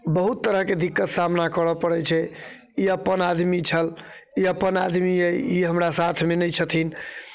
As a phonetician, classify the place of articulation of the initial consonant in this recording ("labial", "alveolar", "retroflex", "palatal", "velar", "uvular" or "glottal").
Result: labial